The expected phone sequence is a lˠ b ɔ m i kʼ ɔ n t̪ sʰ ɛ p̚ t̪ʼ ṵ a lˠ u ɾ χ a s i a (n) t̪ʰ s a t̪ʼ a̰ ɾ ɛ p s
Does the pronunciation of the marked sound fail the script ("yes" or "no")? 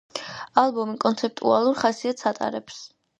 yes